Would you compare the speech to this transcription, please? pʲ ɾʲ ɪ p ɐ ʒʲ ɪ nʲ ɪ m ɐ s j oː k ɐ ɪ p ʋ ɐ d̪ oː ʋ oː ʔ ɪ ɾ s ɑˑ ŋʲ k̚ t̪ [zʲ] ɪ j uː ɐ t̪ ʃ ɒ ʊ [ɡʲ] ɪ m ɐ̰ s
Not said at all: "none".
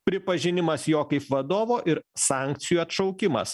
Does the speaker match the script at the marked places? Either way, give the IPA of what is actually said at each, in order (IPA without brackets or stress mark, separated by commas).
sʲ, kʲ